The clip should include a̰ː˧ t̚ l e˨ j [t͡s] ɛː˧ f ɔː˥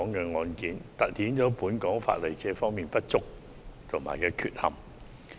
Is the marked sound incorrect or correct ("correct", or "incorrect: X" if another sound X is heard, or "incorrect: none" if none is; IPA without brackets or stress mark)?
correct